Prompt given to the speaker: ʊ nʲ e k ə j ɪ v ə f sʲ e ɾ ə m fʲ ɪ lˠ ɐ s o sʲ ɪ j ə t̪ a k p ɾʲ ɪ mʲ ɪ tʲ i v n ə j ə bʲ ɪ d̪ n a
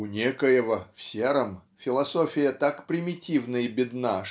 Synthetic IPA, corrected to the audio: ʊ nʲ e k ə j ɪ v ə f sʲ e ɾ ə m fʲ ɪ lˠ ɐ s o fʲ ɪ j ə t̪ a k p ɾʲ ɪ mʲ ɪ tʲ i v n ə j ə bʲ ɪ d̪ n a